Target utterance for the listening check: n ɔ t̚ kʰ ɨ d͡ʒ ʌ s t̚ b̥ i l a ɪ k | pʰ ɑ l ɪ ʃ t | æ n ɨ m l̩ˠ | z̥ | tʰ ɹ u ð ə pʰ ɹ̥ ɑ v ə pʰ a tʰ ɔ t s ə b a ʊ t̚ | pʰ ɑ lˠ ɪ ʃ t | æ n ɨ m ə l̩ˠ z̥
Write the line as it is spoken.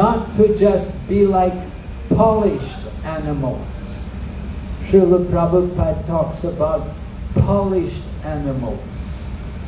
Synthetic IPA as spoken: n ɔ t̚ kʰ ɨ d͡ʒ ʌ s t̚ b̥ i l a ɪ k | pʰ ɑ l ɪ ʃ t | æ n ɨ m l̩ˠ | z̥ | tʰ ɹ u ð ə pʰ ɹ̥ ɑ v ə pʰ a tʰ ɔ k s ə b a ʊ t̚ | pʰ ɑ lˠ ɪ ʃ t | æ n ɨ m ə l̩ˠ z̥

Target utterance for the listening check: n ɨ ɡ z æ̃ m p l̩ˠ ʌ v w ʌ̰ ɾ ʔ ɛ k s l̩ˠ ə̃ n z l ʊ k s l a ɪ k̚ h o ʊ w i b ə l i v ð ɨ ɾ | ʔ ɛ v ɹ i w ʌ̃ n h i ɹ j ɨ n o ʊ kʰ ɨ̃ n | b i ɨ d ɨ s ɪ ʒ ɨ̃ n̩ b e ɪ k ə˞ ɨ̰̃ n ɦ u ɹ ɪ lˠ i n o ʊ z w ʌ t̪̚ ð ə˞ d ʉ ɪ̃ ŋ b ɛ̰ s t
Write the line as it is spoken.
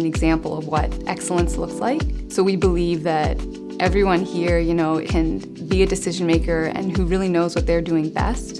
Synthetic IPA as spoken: n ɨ ɡ z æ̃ m p l̩ˠ ʌ v w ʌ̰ ɾ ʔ ɛ k s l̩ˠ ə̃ n s l ʊ k s l a ɪ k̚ s o ʊ w i b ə l i v ð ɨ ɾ | ʔ ɛ v ɹ i w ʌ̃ n h i ɹ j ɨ n o ʊ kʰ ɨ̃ n | b i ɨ d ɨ s ɪ ʒ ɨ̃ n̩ m e ɪ k ə˞ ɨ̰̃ n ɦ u ɹ ɪ lˠ i n o ʊ z w ʌ t̪̚ ð ə˞ d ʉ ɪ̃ ŋ b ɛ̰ s t

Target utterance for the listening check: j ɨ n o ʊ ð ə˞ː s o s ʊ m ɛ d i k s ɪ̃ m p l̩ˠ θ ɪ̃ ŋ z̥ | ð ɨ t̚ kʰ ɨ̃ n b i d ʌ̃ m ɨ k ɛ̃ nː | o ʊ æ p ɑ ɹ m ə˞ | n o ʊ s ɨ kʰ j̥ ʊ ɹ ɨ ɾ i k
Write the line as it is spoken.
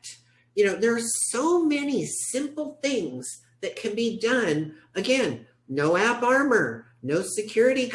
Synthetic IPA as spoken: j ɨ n o ʊ ð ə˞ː s o ʊ m ɛ n i s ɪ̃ m p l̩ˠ θ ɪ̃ ŋ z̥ | ð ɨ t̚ kʰ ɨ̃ n b i d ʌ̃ n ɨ ɡ ɛ̃ nː | o ʊ æ p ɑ ɹ m ə˞ | n o ʊ s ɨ kʰ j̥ ʊ ɹ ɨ ɾ i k

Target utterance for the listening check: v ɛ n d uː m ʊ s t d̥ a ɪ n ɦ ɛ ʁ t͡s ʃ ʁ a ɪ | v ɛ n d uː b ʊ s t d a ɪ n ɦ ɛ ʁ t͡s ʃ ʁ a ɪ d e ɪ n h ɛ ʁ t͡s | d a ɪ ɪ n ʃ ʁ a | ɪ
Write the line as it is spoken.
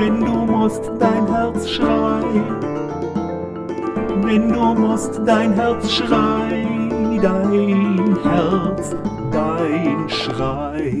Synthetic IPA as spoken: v ɛ n d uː m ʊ s t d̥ a ɪ n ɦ ɛ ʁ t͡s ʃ ʁ a ɪ | v ɛ n d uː m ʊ s t d a ɪ n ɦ ɛ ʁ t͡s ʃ ʁ a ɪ d a ɪ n h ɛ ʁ t͡s | d a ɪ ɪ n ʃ ʁ a | ɪ

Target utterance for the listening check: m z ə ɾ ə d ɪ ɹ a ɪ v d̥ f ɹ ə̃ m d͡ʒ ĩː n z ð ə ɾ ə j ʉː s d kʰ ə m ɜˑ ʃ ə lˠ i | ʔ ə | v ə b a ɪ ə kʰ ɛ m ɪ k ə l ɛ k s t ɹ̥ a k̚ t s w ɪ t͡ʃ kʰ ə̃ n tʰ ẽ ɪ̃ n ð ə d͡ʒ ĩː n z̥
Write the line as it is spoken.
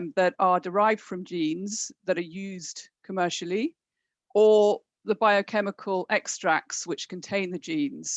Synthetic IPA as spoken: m ð ə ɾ ə d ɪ ɹ a ɪ v d̥ f ɹ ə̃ m d͡ʒ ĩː n z ð ə ɾ ə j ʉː z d kʰ ə m ɜˑ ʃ ə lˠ i | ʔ ə | ð ə b a ɪ ə kʰ ɛ m ɪ kʰ ə l ɛ k s t ɹ̥ a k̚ t s w ɪ t͡ʃ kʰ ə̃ n tʰ ẽ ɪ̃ n ð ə d͡ʒ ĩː n z̥

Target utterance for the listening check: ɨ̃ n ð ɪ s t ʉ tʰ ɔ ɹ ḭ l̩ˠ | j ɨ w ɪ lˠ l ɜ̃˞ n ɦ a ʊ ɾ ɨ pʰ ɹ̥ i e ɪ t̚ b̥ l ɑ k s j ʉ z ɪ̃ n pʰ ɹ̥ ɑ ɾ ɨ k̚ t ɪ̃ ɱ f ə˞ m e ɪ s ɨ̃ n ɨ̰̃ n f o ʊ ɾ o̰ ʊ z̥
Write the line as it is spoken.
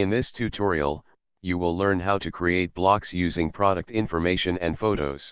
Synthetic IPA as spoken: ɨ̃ n ð ɪ s tʰ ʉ tʰ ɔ ɹ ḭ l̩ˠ | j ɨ w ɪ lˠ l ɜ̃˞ n ɦ a ʊ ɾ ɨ kʰ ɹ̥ i e ɪ t̚ b̥ l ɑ k s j ʉ z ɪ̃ ŋ pʰ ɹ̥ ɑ ɾ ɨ k̚ t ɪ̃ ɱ f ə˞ m e ɪ ʃ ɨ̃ n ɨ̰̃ n f o ʊ ɾ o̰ ʊ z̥

